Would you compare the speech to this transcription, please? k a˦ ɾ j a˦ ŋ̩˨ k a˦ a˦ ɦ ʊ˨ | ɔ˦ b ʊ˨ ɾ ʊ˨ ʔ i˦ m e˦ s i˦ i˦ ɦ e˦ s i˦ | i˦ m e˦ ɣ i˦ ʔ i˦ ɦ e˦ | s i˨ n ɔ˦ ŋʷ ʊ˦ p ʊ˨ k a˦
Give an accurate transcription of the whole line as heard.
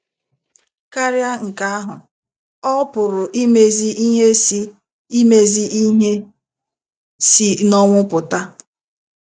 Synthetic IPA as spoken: k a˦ ɾ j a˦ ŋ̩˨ k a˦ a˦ ɦ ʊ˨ | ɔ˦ p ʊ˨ ɾ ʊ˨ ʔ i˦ m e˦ z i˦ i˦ ɦ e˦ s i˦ | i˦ m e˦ z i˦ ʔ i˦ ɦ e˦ | s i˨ n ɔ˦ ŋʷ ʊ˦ p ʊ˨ t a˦